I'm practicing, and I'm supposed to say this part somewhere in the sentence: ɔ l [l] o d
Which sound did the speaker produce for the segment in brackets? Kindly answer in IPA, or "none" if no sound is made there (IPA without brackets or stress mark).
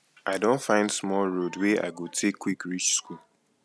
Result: ɹ